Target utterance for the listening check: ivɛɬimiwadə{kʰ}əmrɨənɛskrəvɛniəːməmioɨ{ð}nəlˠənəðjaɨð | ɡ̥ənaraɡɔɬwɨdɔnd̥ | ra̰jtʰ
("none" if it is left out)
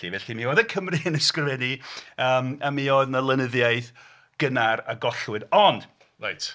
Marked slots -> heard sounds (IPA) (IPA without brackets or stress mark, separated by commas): kʰ, ð